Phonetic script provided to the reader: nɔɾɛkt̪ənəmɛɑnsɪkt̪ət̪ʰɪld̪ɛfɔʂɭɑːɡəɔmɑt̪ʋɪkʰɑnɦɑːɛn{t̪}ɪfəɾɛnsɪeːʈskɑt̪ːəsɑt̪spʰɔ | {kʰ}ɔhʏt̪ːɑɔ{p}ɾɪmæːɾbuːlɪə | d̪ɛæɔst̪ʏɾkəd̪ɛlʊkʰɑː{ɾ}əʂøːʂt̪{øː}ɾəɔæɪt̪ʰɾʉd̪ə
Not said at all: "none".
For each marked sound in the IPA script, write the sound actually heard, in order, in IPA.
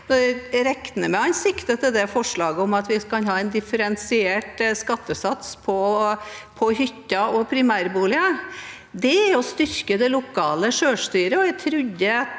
d̪, pʰ, pʰ, l, yː

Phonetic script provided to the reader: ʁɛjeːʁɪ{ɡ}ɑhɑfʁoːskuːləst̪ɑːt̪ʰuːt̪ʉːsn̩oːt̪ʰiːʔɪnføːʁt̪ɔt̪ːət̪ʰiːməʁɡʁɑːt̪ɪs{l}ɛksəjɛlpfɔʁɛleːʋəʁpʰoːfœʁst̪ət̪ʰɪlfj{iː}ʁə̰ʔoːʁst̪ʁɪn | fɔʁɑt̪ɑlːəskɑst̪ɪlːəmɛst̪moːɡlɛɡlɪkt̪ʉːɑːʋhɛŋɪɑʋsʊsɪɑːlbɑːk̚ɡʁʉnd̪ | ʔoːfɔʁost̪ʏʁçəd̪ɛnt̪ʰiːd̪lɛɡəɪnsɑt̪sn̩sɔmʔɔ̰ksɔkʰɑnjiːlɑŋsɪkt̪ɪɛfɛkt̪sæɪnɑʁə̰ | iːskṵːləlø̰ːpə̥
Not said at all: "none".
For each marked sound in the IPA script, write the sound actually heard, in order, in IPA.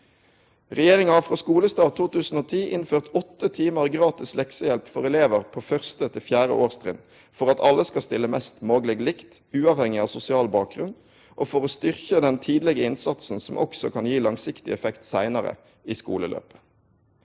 ŋ, l, æː

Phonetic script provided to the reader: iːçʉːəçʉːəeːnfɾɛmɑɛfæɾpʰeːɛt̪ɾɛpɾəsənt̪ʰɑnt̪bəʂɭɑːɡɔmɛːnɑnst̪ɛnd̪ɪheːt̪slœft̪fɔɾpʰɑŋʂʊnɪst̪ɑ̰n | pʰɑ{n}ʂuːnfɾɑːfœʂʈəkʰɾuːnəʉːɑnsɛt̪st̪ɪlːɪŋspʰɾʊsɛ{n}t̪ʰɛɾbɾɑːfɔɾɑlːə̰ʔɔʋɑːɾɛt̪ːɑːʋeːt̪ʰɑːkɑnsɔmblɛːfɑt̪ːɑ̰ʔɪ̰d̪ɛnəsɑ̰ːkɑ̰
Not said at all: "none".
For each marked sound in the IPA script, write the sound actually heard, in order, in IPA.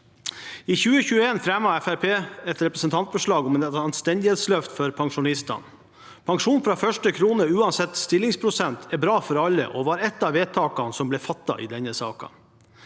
ŋ, n

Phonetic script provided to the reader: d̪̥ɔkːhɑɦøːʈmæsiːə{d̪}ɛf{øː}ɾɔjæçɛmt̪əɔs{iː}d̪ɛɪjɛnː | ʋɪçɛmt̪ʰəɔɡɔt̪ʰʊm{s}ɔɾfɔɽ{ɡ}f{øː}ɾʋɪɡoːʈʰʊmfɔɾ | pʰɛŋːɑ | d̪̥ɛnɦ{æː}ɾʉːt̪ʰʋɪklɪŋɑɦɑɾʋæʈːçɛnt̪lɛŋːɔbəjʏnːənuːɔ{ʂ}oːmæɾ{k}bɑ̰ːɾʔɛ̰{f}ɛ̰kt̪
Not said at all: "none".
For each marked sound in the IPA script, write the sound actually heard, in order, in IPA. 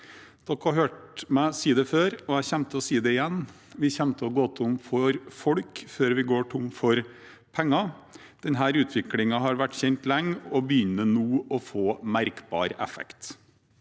d̪, øː, iː, f, k, øː, æː, f, k, f

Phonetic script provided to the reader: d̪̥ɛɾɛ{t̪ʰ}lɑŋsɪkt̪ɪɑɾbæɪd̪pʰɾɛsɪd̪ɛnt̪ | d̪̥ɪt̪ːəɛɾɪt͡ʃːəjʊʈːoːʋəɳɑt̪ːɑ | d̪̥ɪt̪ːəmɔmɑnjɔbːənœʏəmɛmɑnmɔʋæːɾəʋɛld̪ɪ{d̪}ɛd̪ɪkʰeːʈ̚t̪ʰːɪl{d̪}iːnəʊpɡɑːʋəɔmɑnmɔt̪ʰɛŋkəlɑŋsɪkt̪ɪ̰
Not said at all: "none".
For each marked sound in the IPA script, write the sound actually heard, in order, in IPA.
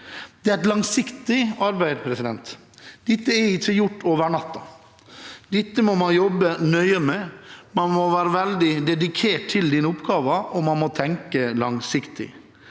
t̪, d̪, d̪

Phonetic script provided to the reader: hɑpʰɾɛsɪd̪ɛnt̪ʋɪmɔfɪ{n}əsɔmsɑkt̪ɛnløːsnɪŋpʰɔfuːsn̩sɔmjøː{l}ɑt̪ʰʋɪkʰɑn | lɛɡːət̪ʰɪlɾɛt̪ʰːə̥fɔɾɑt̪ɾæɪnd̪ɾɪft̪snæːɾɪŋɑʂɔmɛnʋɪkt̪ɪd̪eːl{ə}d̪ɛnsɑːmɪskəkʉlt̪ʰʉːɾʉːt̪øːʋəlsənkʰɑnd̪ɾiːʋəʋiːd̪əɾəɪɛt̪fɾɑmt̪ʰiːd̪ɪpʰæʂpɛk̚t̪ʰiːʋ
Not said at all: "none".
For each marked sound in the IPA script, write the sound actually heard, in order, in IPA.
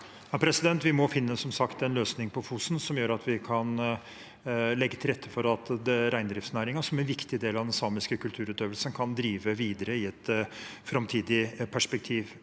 nː, ɾ, ɑ

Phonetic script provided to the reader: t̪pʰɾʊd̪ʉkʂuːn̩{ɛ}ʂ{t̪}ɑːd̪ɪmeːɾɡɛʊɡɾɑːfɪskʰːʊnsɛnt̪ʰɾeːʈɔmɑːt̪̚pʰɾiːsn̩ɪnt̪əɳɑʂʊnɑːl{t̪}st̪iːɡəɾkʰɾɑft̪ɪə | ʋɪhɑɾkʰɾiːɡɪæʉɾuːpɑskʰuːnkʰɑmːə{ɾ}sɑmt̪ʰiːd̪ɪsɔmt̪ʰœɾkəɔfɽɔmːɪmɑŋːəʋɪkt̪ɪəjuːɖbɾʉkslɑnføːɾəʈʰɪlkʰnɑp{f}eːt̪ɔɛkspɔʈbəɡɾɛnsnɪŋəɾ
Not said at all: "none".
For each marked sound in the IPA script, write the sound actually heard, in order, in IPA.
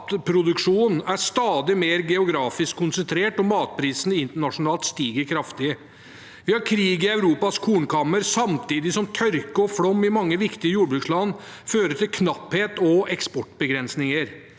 æ, t̪, t̪, ɾ, h

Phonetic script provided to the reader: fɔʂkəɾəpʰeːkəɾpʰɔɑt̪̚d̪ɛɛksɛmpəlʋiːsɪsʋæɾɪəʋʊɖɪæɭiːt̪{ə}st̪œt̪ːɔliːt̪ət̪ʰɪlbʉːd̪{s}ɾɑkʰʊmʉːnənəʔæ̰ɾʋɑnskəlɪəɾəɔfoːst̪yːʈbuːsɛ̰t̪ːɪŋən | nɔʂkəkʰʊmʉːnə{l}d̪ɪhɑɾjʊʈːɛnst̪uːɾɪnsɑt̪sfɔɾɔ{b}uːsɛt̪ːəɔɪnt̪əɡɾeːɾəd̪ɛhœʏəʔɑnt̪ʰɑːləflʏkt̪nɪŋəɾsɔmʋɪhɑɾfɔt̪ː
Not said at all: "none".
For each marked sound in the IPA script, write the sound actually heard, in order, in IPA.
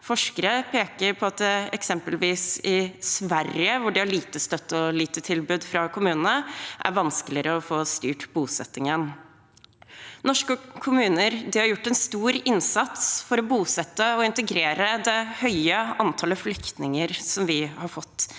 ə, f, ɾ, b

